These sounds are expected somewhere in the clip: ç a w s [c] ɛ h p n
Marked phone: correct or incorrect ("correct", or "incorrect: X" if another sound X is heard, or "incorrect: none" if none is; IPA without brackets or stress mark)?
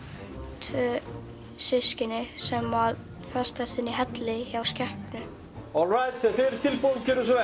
correct